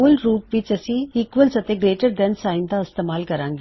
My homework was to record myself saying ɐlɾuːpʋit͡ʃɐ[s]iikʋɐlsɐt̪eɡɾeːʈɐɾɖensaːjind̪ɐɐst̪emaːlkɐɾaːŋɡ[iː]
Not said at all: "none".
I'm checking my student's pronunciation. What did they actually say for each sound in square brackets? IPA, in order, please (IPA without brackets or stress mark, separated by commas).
s, i